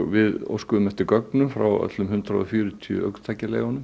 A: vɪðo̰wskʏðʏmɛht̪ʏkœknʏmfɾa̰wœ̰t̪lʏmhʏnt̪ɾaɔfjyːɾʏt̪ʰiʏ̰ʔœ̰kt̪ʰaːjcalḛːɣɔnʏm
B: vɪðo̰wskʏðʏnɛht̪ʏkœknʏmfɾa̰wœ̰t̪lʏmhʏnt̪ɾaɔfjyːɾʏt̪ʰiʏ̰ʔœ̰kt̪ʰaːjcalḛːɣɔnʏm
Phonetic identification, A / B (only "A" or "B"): A